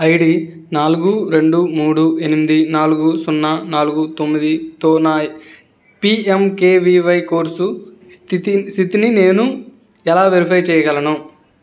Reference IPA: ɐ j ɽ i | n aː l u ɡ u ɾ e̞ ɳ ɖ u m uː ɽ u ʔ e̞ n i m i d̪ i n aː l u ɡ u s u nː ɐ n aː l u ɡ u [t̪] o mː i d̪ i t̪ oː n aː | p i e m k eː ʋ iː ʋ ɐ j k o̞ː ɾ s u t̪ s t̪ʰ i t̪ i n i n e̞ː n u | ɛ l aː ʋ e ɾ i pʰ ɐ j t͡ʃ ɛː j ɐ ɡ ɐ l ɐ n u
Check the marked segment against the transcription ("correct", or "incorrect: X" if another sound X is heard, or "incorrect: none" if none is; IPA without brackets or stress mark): correct